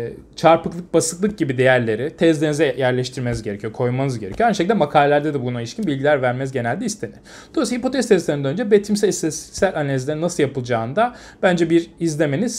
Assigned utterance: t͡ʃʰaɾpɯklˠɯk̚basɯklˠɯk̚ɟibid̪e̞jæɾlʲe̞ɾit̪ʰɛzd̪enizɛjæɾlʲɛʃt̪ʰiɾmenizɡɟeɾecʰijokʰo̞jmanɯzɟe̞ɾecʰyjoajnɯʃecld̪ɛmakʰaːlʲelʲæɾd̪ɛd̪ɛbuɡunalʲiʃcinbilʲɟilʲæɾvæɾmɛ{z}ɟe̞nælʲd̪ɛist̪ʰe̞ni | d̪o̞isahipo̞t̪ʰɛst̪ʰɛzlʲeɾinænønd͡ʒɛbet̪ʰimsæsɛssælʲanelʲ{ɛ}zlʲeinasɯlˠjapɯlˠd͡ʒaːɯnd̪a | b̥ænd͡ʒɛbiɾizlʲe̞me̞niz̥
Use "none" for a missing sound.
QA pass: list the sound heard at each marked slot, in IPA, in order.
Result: z, i

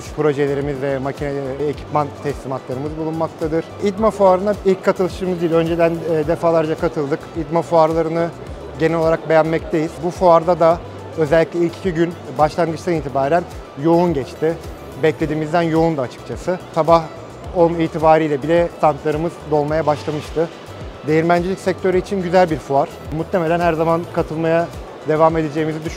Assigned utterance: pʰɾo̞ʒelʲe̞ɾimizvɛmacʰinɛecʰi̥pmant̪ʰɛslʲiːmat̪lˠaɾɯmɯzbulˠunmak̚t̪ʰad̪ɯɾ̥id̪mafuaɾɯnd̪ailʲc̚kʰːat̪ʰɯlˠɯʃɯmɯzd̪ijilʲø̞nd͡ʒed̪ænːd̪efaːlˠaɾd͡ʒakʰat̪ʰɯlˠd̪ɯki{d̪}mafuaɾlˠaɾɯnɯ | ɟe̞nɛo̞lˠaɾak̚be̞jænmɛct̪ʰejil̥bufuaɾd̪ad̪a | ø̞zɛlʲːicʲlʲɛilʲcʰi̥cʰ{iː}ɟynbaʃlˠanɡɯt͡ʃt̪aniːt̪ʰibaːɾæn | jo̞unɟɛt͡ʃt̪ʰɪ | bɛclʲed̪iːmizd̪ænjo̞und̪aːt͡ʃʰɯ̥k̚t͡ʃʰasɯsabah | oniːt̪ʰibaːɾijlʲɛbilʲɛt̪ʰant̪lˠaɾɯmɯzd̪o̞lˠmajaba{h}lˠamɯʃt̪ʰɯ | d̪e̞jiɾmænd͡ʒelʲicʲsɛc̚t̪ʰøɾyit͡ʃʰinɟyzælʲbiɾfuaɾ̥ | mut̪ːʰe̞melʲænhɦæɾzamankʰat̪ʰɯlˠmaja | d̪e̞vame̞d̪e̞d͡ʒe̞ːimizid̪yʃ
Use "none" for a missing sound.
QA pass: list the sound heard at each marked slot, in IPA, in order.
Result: d̪, i, ʃ

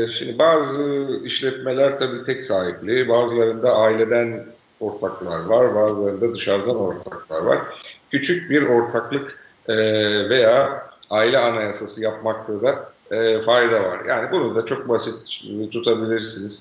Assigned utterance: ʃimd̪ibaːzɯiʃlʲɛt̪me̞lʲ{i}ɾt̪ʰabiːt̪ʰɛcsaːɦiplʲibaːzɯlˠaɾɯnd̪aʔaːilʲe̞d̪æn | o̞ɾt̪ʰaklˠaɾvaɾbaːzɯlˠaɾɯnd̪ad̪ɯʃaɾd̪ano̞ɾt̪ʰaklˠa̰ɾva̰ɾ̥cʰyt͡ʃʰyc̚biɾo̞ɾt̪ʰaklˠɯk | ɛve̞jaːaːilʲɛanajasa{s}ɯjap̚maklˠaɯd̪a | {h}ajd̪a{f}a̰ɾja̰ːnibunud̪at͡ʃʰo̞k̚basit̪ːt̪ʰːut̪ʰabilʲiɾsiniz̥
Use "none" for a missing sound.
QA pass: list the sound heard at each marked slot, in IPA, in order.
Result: æ, s, f, v

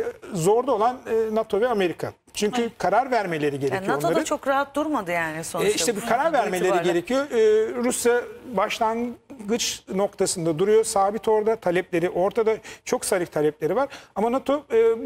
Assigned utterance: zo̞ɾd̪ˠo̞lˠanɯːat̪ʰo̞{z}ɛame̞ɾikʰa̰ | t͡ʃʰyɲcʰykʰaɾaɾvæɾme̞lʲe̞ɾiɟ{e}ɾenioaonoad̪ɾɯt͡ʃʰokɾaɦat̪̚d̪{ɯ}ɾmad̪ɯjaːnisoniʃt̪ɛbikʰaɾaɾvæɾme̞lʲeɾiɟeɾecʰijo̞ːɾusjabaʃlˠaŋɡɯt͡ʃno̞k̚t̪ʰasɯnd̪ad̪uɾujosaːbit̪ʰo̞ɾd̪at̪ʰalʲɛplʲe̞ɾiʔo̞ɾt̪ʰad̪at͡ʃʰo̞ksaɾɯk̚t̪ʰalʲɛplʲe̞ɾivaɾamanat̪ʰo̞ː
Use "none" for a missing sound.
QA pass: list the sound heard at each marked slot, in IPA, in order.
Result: v, e, u

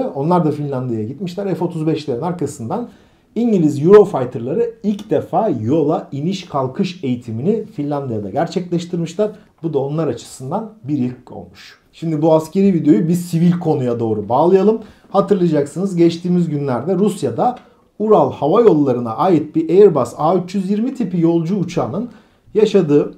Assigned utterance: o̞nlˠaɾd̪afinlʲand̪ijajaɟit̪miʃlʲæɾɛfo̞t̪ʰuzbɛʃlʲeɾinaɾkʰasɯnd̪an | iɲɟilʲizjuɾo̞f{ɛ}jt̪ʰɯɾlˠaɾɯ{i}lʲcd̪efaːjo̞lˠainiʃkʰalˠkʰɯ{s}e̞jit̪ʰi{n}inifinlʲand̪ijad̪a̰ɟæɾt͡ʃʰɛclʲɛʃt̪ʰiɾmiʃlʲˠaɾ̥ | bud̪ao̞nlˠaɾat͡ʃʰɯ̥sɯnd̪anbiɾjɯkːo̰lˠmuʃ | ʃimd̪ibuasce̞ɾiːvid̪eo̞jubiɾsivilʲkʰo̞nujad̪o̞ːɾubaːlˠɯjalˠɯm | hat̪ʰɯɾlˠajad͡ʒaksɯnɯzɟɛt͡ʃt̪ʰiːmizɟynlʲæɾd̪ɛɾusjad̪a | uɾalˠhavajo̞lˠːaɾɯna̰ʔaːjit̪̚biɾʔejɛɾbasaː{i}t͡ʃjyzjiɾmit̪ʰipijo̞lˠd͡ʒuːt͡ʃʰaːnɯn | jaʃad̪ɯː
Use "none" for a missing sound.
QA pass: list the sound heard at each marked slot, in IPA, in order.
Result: a, i, ʃ, m, y

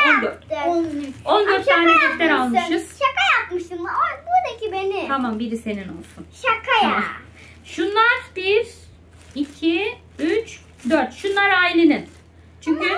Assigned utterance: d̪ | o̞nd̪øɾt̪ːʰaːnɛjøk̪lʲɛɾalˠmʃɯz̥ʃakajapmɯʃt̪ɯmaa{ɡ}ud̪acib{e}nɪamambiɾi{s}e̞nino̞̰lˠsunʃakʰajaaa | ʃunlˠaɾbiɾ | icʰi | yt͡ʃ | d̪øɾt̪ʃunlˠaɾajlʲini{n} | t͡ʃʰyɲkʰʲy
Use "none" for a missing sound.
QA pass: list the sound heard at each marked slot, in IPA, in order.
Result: b, e, s, n

